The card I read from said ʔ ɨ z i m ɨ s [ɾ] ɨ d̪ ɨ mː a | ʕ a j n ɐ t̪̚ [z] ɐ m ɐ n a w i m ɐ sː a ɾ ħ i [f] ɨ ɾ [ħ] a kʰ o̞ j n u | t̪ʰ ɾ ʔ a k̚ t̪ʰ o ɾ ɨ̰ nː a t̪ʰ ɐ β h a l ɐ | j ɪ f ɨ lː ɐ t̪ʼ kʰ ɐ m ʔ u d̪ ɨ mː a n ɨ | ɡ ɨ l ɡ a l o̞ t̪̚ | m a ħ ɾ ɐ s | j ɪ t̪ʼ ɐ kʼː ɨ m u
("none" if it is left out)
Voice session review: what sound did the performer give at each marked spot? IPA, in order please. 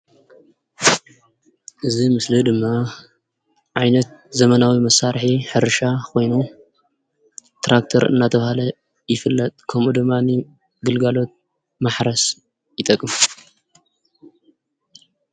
l, z, ħ, ʃ

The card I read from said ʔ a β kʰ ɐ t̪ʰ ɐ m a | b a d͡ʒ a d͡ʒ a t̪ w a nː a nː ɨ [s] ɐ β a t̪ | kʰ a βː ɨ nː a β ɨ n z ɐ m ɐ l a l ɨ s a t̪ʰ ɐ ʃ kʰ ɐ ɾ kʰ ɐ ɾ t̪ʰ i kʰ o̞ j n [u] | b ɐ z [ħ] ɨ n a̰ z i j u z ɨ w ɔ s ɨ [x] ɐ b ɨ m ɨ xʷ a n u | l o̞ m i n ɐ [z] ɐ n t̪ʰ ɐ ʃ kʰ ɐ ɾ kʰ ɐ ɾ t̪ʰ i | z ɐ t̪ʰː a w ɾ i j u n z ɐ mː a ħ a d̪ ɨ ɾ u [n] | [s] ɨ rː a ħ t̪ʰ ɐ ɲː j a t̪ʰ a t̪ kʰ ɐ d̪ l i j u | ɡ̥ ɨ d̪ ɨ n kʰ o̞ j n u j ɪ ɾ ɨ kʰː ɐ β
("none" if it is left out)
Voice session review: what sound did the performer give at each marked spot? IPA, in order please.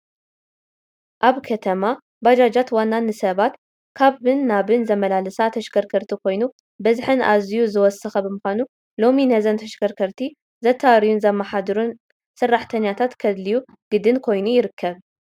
s, u, ħ, x, z, n, s

